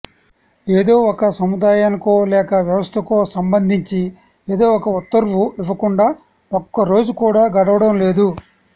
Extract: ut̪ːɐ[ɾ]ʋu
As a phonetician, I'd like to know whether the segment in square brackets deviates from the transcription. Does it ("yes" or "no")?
no